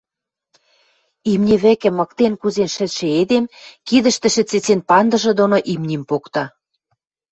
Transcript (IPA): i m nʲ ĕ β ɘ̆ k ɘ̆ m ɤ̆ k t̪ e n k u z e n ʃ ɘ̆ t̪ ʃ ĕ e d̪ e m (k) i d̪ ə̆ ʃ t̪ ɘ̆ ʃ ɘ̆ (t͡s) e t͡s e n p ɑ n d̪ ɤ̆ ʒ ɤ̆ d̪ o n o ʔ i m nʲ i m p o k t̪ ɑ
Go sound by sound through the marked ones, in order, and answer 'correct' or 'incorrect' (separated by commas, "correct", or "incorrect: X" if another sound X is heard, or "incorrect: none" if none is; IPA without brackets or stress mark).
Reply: correct, correct